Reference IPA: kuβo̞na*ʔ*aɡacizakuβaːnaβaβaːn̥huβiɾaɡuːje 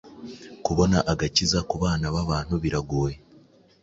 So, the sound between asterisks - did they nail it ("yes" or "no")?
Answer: yes